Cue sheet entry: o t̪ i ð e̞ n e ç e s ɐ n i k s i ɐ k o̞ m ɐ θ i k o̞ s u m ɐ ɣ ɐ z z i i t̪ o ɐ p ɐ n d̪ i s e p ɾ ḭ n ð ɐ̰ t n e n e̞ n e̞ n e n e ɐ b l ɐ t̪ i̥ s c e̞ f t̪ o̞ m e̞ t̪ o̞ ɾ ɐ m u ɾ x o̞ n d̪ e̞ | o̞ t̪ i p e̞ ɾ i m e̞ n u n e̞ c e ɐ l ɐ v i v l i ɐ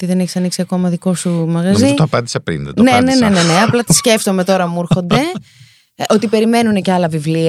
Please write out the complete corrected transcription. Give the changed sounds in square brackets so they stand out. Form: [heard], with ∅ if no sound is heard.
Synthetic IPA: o t̪ i ð e̞ n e ç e s ɐ n i k s i ɐ k o̞ m ɐ [ð] i k o̞ s u m ɐ ɣ ɐ z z i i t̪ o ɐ p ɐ n d̪ i s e p ɾ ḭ n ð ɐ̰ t n e n e̞ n e̞ n e n e ɐ [p] l ɐ t̪ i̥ s c e̞ f t̪ o̞ m e̞ t̪ o̞ ɾ ɐ m u ɾ x o̞ n d̪ e̞ | o̞ t̪ i p e̞ ɾ i m e̞ n u n e̞ c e ɐ l ɐ v i v l i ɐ